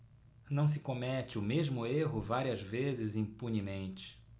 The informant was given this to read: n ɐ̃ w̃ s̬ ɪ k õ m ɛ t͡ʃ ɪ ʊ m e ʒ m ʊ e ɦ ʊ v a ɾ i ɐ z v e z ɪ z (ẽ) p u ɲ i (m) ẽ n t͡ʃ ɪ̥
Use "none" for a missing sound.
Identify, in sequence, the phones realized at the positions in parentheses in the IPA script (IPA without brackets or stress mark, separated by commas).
ĩ, m